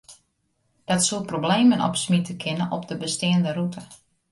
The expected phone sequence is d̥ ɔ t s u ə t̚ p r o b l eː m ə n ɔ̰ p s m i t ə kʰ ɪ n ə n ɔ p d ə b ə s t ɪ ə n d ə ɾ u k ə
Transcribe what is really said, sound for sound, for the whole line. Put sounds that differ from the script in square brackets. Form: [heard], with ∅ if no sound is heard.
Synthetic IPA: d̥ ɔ t s u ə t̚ p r o b l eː m ə n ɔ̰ p s m i t ə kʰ ɪ n ə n ɔ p d ə b ə s t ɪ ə n d ə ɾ u [t] ə